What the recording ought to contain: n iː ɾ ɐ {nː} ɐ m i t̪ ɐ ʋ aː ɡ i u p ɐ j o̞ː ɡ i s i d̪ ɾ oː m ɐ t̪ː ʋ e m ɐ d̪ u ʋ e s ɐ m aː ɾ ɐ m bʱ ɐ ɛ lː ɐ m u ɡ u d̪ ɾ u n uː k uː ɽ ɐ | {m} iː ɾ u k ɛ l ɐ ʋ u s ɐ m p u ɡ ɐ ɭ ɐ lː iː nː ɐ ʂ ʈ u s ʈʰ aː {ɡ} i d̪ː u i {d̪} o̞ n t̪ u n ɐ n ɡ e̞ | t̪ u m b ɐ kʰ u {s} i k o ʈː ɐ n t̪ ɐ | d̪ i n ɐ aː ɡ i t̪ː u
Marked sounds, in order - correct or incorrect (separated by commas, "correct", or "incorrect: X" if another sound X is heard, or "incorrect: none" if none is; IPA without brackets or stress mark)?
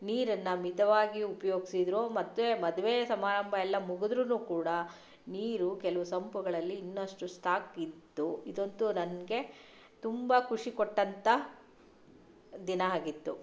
correct, incorrect: n, incorrect: k, correct, incorrect: ʂ